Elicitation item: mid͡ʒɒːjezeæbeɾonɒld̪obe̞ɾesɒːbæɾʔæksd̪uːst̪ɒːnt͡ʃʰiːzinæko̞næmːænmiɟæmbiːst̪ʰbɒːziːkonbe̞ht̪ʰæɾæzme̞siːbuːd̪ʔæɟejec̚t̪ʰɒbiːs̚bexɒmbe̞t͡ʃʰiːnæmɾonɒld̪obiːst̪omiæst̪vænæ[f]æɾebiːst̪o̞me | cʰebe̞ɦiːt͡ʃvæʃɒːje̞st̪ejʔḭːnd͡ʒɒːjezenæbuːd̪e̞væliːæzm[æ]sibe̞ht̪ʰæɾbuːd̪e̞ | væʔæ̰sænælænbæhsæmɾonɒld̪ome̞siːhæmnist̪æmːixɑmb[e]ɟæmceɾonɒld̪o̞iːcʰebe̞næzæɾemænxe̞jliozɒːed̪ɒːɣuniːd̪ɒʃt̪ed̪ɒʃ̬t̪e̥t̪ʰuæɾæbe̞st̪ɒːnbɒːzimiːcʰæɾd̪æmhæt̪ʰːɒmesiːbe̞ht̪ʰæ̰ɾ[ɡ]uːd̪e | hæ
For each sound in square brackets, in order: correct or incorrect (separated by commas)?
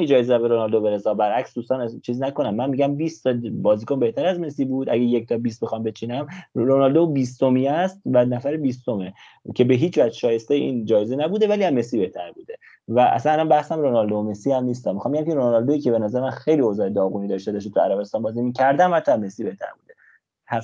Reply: correct, incorrect, correct, incorrect